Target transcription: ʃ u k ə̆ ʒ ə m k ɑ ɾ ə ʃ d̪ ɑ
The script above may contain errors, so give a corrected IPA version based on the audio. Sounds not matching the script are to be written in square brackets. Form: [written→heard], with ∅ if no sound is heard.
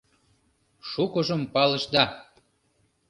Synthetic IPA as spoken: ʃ u k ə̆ ʒ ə m [k→p] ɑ [ɾ→l] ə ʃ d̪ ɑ